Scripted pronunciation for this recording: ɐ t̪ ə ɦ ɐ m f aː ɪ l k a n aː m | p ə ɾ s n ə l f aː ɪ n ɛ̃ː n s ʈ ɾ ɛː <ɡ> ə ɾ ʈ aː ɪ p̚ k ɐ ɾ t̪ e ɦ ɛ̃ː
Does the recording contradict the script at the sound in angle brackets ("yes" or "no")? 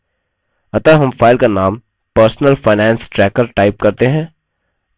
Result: yes